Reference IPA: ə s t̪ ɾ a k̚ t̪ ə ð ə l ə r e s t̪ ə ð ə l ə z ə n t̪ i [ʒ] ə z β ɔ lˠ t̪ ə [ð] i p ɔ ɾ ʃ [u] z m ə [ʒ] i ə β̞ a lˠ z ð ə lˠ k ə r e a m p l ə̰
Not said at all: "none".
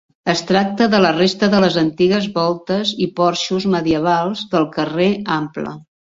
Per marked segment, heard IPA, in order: ɣ, z, u, ð

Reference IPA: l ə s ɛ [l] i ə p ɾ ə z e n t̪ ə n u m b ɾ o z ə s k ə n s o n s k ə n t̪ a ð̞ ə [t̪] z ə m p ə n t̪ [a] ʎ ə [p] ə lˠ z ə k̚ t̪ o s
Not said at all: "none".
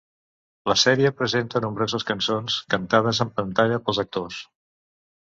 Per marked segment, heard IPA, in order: ɾ, none, a, p

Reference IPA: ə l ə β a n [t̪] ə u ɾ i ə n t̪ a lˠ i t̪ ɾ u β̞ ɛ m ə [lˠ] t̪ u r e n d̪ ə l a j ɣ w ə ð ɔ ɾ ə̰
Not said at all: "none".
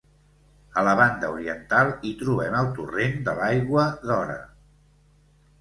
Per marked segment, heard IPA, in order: d̪, lˠ

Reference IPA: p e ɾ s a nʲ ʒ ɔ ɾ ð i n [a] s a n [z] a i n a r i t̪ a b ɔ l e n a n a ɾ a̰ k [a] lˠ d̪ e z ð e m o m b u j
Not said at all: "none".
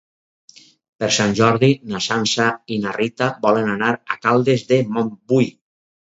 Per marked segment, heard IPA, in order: a, s, a

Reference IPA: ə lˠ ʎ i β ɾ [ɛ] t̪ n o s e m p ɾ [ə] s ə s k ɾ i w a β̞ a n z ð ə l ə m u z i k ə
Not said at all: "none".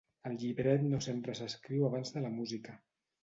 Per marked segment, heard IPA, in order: ɛ, ə

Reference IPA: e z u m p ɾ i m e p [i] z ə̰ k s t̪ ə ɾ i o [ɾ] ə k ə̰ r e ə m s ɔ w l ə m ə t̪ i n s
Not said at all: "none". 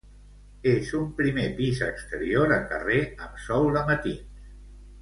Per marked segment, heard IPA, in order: i, ɾ

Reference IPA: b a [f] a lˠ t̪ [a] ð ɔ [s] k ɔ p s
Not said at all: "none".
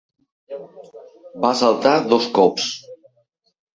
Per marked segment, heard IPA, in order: s, a, s

